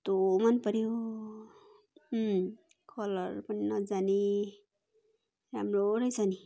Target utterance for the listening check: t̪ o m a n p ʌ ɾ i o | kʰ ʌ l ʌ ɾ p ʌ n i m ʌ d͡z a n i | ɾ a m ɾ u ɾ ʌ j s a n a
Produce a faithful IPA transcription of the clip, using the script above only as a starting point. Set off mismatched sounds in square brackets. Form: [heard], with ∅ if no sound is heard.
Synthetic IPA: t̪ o m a n p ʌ ɾ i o | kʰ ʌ l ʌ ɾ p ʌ n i [n] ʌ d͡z a n i | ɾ a m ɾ [o] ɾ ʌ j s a n [i]